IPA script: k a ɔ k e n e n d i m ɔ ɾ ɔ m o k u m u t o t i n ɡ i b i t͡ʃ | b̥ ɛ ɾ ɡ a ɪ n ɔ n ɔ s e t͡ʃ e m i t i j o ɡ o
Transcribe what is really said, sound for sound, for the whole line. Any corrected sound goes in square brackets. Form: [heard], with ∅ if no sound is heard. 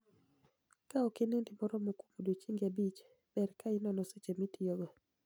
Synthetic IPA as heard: k a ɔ k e n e n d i m ɔ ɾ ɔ m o k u m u [d] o [t͡ʃ] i [ŋ] ɡ [a] b i t͡ʃ | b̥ ɛ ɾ [k] a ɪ n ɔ n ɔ s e t͡ʃ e m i t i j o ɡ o